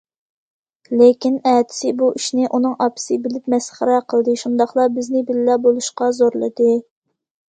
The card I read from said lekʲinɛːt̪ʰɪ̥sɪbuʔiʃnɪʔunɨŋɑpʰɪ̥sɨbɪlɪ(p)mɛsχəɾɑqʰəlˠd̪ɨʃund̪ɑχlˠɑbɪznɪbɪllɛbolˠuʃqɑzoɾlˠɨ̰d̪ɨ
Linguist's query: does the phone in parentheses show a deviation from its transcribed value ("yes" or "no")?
no